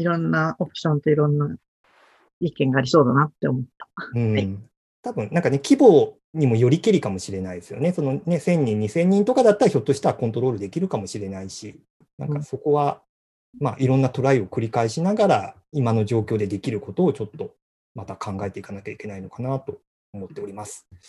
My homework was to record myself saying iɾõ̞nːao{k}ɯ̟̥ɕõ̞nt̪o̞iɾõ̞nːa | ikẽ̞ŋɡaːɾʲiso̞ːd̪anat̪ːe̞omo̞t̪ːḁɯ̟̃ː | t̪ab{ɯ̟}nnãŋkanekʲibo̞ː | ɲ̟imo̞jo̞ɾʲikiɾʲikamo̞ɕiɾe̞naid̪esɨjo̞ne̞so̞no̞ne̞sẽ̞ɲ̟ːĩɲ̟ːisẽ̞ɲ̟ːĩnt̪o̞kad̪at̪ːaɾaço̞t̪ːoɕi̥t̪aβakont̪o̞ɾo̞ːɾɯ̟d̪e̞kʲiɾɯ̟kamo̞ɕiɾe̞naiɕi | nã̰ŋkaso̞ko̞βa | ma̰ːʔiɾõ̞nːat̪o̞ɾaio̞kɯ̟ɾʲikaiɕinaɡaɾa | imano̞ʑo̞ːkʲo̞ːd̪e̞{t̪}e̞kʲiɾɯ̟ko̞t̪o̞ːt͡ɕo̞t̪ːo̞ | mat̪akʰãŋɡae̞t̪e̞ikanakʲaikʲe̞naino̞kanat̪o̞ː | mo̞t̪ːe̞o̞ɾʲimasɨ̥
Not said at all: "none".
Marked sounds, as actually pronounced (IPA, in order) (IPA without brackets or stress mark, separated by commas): p, ɯ̟̃, d̪